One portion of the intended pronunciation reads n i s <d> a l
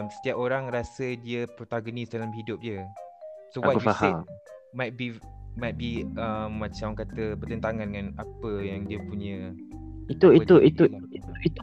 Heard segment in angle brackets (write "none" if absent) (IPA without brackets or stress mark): d